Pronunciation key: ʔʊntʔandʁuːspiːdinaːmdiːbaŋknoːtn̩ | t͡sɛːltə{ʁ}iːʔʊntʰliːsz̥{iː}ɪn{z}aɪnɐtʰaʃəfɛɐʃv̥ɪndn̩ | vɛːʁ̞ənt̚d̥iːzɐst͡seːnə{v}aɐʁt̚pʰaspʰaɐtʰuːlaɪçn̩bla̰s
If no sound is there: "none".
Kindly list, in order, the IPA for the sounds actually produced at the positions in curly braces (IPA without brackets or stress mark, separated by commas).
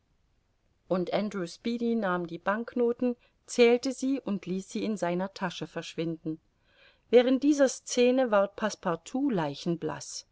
z, iː, z, v